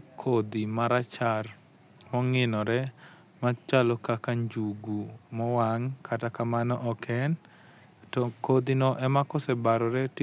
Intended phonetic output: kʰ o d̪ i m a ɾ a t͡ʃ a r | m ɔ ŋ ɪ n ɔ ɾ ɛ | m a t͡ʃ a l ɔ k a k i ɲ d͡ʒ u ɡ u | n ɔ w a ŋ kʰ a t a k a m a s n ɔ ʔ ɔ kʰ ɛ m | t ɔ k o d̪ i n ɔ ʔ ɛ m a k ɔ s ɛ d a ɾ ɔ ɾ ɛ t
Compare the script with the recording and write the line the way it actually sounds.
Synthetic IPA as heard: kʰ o d̪ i m a ɾ a t͡ʃ a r | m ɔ ŋ ɪ n ɔ ɾ ɛ | m a t͡ʃ a l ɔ k a k a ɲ d͡ʒ u ɡ u | m ɔ w a ŋ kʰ a t a k a m a n ɔ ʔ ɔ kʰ ɛ n | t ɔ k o d̪ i n ɔ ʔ ɛ m a k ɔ s ɛ b a ɾ ɔ ɾ ɛ t